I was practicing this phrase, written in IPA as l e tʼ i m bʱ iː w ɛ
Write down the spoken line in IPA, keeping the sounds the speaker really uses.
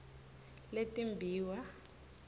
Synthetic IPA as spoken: l e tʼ i m bʱ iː w a

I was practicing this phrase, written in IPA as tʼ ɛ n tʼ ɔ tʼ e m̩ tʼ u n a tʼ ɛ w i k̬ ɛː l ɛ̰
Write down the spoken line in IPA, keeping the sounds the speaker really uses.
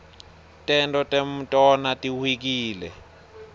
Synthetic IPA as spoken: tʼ ɛ n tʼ ɔ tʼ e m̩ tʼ ɔ n a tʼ i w i k̬ iː l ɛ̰

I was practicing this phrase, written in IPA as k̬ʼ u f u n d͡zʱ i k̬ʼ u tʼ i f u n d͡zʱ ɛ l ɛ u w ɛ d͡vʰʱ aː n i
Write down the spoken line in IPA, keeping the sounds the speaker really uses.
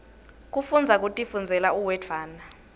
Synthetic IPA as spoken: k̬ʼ u f u n d͡zʱ a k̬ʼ u tʼ i f u n d͡zʱ ɛ l a u w ɛ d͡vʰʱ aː n a

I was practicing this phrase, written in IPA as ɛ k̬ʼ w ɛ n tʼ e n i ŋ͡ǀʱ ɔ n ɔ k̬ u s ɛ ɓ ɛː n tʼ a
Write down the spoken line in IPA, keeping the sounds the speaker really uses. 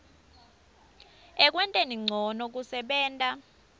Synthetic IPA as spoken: ɛ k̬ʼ w ɛ n tʼ e n i ŋ͡ǀʱ ɔ n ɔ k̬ u s ɛ ɓ ɛː n tʼ a

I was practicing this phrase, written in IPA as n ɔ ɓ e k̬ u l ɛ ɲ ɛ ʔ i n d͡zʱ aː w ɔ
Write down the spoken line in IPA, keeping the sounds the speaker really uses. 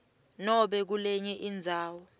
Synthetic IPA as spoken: n ɔ ɓ ɛ k̬ u l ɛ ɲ ɛ ʔ i n d͡zʱ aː w ɔ

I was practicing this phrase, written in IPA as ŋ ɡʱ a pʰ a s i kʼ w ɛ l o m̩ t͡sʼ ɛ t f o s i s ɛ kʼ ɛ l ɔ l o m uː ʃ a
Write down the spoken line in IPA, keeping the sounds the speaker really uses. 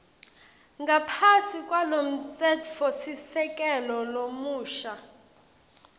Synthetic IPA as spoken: ŋ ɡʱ a pʰ a s i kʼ w a l o m̩ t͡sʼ ɛ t f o s i s ɛ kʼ ɛ l ɔ l o m uː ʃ a

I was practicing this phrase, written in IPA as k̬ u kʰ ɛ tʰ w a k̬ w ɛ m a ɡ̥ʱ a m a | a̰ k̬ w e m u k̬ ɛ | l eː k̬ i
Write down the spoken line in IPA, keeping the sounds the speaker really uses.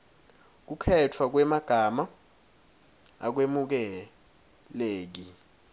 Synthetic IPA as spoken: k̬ u kʰ ɛ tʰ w a k̬ w ɛ m a ɡ̥ʱ a m a | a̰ k̬ w e m u k̬ ɛ | l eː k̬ i

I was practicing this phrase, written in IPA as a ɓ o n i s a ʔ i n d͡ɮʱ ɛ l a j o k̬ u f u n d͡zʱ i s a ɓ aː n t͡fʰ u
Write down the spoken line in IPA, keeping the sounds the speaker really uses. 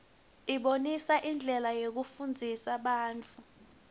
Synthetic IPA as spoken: i ɓ o n i s a ʔ i n d͡ɮʱ ɛ l a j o k̬ u f u n d͡zʱ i s a ɓ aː n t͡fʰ u

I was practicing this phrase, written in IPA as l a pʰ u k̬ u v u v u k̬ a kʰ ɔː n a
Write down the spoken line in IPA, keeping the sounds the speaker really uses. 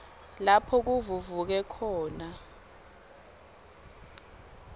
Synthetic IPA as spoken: l a pʰ ɔ k̬ u v u v u k̬ ɛ kʰ ɔː n a

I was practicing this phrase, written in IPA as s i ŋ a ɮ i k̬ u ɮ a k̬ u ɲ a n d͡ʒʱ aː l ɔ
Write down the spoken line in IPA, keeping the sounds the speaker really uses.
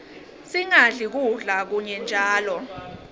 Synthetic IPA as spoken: s i ŋ a ɮ i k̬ u ɮ a k̬ u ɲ ɛ n d͡ʒʱ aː l ɔ

